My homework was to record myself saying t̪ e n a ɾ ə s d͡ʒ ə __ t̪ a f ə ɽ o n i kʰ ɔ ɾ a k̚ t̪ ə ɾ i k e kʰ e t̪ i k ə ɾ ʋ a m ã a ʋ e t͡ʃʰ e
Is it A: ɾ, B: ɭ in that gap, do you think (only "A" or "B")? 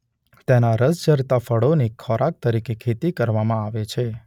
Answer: A